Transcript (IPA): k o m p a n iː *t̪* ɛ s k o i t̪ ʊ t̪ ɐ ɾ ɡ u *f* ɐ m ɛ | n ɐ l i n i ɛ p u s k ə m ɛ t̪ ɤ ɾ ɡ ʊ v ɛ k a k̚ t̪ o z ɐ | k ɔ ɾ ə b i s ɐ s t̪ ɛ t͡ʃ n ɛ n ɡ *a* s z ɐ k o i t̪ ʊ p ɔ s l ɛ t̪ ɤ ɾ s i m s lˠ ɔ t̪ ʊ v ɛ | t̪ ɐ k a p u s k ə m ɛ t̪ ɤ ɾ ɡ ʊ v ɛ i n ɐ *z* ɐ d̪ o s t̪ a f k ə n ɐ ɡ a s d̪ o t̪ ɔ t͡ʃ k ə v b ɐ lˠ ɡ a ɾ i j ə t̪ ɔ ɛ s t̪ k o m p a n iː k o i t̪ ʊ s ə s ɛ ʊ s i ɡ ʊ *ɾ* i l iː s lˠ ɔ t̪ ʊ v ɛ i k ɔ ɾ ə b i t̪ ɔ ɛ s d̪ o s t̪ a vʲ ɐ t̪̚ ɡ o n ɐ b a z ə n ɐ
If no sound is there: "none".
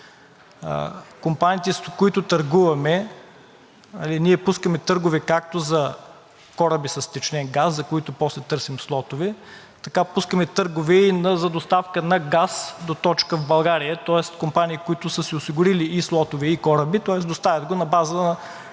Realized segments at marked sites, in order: t̪, v, a, z, ɾ

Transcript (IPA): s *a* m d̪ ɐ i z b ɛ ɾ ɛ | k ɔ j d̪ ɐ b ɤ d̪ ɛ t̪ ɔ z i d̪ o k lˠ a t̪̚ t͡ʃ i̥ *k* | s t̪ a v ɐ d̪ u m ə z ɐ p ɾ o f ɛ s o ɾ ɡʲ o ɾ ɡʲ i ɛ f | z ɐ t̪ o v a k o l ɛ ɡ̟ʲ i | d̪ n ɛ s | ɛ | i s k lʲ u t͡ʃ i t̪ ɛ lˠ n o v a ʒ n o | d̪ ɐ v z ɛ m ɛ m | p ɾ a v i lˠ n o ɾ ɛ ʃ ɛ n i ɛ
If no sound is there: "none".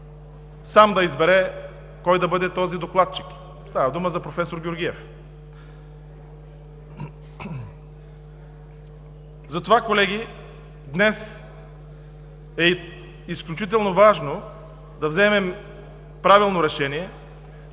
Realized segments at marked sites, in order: a, k

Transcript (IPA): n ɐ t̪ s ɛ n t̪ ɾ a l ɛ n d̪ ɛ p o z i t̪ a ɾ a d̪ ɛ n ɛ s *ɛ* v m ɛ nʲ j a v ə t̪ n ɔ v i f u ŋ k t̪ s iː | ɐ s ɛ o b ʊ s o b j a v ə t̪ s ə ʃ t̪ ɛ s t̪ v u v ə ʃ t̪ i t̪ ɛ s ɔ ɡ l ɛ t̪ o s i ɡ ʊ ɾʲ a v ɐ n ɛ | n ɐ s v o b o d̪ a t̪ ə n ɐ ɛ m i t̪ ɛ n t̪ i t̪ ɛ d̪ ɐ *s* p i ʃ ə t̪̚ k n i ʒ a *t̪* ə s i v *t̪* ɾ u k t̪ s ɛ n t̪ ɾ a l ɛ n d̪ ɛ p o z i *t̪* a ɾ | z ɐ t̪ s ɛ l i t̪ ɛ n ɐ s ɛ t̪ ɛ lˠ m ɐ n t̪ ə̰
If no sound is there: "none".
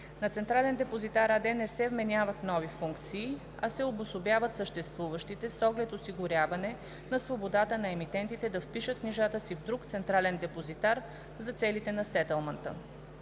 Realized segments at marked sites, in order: ɛ, f, t̪, d̪, t̪

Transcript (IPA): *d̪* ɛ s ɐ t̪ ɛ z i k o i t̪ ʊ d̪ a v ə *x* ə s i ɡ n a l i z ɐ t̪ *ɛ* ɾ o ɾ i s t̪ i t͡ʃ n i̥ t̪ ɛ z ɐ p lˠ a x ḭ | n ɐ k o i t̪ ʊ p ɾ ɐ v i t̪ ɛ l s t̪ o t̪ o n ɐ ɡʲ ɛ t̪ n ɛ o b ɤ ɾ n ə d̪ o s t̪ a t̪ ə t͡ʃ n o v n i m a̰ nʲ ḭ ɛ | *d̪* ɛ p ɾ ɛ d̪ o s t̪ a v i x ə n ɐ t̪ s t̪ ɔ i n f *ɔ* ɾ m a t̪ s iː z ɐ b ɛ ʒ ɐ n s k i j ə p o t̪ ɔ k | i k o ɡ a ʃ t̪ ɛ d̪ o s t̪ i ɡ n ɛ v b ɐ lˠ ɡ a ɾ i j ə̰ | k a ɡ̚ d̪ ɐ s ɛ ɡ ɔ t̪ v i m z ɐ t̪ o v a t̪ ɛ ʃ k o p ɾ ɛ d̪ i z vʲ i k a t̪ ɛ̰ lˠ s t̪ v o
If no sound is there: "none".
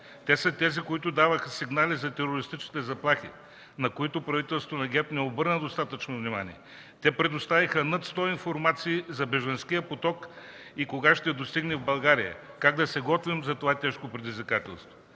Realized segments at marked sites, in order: t̪, x, ɛ, t̪, o

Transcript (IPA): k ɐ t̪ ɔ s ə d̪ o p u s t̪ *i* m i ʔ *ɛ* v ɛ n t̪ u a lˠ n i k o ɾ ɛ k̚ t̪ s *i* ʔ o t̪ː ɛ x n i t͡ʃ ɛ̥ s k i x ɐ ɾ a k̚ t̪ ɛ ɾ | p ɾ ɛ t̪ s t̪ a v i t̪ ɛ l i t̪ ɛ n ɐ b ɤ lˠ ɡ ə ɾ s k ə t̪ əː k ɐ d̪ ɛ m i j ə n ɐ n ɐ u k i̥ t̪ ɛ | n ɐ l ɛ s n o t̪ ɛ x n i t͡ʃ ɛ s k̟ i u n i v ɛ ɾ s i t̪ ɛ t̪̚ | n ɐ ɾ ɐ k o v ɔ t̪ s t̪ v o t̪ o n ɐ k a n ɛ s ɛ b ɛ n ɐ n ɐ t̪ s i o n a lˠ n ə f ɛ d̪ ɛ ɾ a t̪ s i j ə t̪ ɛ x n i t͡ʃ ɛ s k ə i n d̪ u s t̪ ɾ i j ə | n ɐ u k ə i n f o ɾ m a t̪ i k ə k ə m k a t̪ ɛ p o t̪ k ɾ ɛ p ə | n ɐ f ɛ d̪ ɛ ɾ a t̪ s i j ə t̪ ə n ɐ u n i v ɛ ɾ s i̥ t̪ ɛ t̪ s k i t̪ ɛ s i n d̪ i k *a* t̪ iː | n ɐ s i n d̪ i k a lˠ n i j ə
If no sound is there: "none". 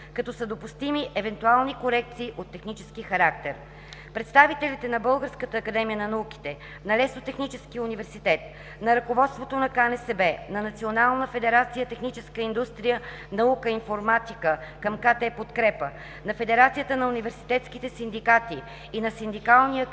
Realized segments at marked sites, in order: i, ɛ, iː, a

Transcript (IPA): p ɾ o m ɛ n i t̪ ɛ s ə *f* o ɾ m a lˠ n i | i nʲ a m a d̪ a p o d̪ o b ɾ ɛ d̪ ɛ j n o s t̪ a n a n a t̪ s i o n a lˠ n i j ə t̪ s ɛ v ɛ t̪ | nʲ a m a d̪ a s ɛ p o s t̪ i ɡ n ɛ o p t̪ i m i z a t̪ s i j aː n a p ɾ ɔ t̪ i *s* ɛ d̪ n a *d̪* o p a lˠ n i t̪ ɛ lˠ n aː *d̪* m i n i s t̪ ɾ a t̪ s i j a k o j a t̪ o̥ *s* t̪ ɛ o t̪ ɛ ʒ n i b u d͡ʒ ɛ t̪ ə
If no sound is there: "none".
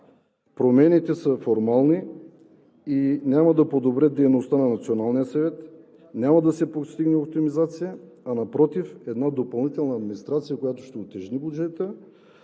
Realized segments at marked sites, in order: f, f, d̪, d̪, ʃ

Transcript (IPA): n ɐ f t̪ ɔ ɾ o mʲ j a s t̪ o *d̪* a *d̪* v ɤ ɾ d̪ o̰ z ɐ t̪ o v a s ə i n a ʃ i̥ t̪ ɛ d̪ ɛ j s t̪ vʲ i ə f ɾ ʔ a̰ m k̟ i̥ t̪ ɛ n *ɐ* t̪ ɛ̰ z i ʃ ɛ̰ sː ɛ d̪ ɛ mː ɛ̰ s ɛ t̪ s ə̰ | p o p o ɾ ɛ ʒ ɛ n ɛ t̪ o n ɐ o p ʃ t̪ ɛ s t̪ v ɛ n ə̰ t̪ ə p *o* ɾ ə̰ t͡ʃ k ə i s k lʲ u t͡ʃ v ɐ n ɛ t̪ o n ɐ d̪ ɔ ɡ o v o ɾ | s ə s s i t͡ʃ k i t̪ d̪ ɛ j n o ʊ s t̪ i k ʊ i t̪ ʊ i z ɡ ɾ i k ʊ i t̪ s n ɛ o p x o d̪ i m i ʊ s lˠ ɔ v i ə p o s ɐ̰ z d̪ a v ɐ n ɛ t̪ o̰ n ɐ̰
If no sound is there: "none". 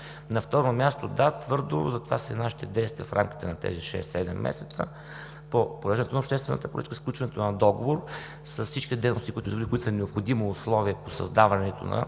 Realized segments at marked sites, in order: d̪, t̪, ɐ, o

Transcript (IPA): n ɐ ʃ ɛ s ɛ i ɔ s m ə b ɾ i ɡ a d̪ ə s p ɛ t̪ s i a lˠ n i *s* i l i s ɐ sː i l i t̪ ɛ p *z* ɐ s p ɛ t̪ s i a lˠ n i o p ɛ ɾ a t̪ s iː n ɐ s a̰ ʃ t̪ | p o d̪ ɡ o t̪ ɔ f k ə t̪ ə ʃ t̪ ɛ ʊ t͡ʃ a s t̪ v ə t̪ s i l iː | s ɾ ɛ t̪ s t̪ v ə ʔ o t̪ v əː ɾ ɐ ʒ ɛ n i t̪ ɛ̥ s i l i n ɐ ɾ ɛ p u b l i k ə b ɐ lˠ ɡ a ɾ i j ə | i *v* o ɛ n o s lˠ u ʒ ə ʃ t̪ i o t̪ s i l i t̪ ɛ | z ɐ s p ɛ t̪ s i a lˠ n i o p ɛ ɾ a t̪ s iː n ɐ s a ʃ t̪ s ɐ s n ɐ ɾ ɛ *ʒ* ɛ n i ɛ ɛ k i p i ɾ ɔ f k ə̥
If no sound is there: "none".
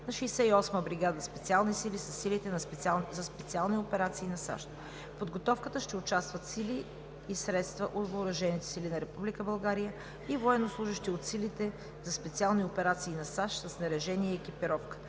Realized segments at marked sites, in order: s, z, v, ʒ

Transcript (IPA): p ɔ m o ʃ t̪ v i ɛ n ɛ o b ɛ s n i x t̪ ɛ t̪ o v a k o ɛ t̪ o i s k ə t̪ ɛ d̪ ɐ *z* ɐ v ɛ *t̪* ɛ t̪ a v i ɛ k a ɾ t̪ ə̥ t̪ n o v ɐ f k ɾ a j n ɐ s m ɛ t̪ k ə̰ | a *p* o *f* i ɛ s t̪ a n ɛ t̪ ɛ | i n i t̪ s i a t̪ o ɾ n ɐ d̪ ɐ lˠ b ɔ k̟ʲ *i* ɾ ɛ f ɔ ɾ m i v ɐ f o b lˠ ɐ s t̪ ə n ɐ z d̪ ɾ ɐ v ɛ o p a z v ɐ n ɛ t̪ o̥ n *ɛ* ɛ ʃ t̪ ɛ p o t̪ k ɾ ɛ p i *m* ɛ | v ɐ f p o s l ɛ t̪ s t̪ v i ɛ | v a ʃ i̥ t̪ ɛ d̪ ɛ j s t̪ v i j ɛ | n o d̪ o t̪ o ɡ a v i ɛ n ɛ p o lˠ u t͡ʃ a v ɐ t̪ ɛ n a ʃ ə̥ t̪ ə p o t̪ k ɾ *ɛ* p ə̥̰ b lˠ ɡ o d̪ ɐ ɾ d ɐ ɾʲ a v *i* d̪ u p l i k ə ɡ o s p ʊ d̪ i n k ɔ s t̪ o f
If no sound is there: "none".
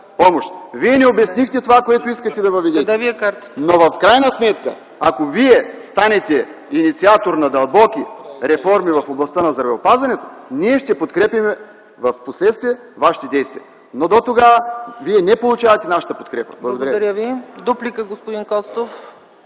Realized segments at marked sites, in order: v, d̪, k, v, i, i, m, ɛ, i

